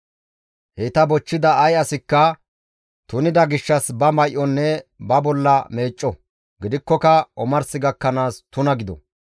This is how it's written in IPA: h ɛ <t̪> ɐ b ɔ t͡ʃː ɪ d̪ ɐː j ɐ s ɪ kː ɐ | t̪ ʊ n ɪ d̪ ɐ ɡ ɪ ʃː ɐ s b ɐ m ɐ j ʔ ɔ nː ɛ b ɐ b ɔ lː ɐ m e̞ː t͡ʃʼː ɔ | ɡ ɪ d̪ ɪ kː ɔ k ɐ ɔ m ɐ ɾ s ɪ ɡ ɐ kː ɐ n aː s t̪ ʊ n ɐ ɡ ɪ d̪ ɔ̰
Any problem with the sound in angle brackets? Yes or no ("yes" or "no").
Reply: no